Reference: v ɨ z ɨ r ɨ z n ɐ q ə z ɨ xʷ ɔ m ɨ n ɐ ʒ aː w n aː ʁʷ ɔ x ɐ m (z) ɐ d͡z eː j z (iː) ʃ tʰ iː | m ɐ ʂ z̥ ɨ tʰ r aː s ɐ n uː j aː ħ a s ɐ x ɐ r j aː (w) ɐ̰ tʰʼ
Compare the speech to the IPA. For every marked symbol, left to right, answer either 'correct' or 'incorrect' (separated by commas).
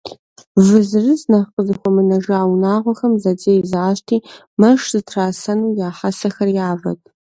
correct, incorrect, incorrect